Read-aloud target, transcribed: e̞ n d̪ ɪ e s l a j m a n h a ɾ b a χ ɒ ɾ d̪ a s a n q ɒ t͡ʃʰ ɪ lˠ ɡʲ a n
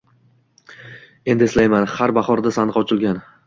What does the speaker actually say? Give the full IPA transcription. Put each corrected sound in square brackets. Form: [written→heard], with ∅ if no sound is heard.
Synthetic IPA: e̞ n d̪ ɪ e s l a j m a n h a ɾ b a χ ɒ ɾ d̪ a s a n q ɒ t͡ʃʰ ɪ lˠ ɡʲ a n

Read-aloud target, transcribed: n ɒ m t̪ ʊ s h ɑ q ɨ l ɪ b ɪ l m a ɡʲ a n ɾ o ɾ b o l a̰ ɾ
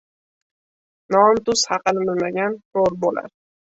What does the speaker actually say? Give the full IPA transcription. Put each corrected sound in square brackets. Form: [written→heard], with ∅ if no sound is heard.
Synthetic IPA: n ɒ m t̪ ʊ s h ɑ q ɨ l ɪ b ɪ l m a ɡʲ a n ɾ o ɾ b o l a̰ ɾ

